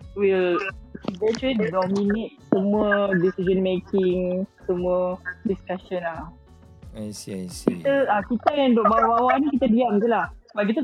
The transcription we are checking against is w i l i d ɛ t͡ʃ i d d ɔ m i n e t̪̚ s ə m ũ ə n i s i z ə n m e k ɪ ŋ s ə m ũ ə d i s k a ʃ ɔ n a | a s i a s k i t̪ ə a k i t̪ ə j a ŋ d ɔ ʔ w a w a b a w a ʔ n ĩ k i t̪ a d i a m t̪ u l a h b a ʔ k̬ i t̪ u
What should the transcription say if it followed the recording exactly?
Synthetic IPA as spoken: w i l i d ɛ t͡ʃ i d d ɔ m i n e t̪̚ s ə m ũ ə d i s i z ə n m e k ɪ ŋ s ə m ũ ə d i s k a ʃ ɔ n a | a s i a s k i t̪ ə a k i t̪ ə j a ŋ d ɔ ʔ b a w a b a w a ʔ n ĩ k i t̪ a d i a m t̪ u l a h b a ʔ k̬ i t̪ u